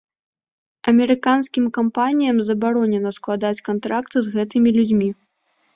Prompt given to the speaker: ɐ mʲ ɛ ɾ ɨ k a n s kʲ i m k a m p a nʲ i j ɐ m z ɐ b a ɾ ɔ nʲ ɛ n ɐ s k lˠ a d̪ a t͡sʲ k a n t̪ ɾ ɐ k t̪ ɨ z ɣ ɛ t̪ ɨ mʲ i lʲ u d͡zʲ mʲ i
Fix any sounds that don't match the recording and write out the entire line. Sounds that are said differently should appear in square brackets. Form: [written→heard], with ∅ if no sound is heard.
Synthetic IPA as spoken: ɐ mʲ ɛ ɾ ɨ k a n s kʲ i m k a m p a nʲ i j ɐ m z ɐ b a ɾ ɔ nʲ ɛ n ɐ s k lˠ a d̪ a t͡sʲ k a n t̪ ɾ [ɐ→a] k t̪ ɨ z ɣ ɛ t̪ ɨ mʲ i lʲ u d͡zʲ mʲ i